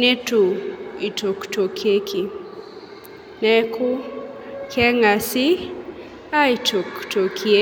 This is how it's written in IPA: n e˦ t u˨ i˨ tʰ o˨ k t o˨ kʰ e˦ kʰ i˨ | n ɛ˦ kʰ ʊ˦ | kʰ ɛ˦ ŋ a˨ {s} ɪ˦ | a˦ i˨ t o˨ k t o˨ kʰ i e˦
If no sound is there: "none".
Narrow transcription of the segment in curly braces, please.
s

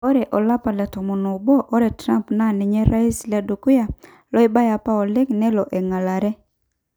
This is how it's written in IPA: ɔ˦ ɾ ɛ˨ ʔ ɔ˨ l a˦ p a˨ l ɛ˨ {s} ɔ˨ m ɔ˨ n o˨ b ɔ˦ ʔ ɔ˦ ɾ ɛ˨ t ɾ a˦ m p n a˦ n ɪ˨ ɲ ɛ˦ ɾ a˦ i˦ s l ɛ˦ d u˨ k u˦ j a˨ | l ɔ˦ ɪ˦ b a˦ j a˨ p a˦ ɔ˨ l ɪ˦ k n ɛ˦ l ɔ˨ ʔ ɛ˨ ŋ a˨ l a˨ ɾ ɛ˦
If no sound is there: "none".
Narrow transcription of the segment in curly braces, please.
t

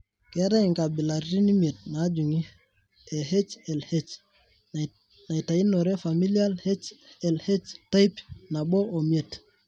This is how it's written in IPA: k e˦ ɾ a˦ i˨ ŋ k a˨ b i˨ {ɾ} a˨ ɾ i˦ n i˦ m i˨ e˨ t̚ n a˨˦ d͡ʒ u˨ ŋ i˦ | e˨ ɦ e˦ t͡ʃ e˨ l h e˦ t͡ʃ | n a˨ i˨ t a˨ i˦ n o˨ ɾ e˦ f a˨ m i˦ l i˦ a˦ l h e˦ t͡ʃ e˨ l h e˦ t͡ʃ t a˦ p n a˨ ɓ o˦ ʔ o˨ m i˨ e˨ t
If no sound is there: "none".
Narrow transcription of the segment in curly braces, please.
l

